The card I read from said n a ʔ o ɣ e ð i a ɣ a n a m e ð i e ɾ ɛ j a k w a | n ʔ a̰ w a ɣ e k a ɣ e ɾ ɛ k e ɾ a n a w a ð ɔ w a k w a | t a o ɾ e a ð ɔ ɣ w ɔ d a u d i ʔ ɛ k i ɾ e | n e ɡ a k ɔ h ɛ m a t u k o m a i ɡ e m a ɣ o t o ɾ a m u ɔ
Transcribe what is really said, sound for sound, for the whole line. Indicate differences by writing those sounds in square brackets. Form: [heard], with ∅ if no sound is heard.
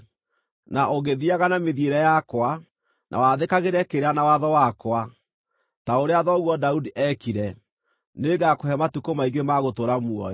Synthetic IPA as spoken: n a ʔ o ɣ e ð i a ɣ a n a m e ð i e ɾ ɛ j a k w a | n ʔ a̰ w a [ð] e k a ɣ e ɾ ɛ k e ɾ a n a w a ð ɔ w a k w a | t a o ɾ e a ð ɔ ɣ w ɔ d a u d i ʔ ɛ k i ɾ [ɛ] | n e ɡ a k [o] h ɛ m a t u k o m a i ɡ e m a ɣ o t o ɾ a m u ɔ